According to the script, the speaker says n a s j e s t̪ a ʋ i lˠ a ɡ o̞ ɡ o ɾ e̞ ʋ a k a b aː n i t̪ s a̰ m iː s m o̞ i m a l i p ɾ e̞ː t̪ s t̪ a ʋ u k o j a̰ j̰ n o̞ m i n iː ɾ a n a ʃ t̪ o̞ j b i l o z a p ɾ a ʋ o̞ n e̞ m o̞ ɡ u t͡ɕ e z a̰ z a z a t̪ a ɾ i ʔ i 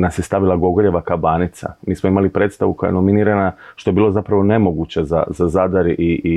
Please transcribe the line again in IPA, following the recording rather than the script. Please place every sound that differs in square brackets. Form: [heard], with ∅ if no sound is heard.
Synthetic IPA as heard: n a s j e s t̪ a ʋ i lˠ a ɡ o̞ ɡ o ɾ e̞ ʋ a k a b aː n i t̪ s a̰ m iː s m o̞ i m a l i p ɾ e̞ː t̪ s t̪ a ʋ u k o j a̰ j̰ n o̞ m i n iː ɾ a n a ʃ t̪ o̞ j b i l o z a p ɾ a ʋ o̞ n e̞ m o̞ ɡ u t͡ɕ e z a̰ z a z a [d̪] a ɾ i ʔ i